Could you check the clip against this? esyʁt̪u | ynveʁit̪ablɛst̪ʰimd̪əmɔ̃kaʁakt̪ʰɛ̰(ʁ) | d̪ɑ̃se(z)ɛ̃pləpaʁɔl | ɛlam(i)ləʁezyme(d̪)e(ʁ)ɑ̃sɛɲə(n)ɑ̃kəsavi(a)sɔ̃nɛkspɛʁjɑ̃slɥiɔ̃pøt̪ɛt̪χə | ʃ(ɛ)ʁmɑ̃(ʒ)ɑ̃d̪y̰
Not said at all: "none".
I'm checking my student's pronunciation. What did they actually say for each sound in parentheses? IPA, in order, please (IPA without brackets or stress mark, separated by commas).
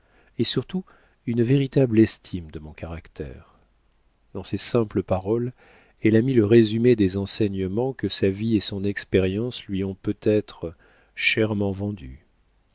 ʁ, s, i, d̪, z, m, e, ɛ, v